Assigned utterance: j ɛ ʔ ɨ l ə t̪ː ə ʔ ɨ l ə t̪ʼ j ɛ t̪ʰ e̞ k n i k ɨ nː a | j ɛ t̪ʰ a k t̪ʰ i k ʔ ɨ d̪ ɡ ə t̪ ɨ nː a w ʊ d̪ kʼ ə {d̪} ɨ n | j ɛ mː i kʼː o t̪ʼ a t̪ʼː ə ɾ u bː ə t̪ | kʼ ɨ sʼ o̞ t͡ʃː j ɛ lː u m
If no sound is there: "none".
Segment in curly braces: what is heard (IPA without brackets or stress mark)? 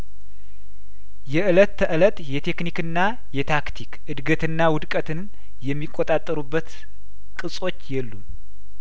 t̪